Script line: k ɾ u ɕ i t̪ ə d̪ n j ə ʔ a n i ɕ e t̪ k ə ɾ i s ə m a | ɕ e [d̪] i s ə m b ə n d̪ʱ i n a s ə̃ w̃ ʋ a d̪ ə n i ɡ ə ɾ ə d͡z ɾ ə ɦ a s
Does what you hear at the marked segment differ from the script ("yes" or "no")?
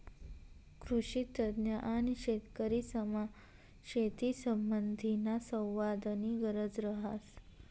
yes